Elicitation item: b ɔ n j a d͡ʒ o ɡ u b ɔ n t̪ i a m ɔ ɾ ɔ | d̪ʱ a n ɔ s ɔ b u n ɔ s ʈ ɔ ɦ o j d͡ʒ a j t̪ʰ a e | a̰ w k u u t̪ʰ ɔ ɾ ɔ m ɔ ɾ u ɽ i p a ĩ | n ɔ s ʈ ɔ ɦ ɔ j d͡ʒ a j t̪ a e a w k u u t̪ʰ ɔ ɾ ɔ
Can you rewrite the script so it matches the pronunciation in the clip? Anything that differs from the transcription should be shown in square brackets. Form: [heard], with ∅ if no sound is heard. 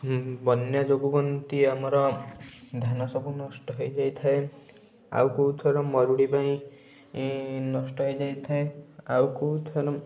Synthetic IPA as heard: b ɔ n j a d͡ʒ o ɡ u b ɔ n t̪ i a m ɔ ɾ ɔ | d̪ʱ a n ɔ s ɔ b u n ɔ s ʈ ɔ ɦ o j d͡ʒ a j t̪ʰ a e | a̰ w k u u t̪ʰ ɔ ɾ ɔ m ɔ ɾ u ɽ i p a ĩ | n ɔ s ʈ ɔ ɦ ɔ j d͡ʒ a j [t̪ʰ] a e a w k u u t̪ʰ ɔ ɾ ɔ